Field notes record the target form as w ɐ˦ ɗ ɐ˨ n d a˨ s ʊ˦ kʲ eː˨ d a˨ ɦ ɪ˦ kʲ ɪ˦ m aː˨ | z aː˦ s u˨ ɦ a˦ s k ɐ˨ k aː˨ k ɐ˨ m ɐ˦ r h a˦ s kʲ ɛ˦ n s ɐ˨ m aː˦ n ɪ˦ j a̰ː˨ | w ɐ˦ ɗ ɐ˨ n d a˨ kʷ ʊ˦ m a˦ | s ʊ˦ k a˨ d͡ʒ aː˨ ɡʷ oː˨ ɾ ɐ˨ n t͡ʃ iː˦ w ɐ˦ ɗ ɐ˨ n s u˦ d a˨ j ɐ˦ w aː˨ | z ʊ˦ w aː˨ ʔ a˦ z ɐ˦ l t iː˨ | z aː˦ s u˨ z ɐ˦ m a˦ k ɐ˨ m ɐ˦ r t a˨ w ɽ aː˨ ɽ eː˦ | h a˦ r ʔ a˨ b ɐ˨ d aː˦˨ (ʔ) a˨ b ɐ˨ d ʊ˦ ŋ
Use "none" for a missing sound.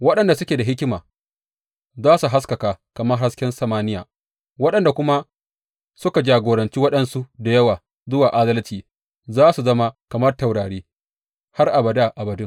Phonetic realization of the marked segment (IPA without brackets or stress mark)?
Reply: ʔ